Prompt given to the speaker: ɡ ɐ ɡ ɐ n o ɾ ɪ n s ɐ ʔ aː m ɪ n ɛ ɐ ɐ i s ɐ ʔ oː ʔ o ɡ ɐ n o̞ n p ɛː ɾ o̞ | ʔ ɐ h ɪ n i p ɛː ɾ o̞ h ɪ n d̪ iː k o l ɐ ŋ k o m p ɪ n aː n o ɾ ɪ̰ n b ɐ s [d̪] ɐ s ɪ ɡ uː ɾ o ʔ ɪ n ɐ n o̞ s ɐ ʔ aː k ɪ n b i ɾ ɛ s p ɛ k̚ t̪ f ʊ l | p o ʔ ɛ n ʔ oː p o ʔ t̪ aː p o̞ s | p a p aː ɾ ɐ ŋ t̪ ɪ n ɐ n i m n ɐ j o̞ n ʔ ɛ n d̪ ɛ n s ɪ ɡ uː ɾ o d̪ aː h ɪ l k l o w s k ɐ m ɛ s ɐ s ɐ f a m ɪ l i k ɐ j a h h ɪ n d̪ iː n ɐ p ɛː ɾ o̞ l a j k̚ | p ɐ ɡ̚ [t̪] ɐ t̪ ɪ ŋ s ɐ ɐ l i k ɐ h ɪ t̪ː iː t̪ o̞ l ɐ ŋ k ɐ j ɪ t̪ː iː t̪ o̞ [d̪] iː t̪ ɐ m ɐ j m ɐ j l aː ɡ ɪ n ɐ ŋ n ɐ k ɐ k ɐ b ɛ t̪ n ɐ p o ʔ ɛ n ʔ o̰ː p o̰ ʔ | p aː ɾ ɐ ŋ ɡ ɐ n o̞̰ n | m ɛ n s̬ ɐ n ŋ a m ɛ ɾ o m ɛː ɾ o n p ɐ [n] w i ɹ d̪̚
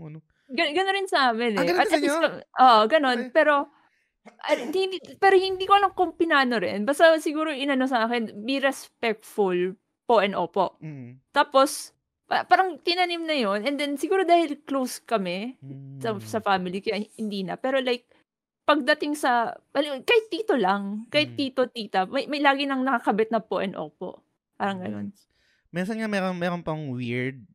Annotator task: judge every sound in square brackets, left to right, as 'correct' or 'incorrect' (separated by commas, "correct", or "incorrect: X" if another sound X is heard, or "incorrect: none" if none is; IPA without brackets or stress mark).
incorrect: t̪, incorrect: d̪, incorrect: t̪, incorrect: ŋ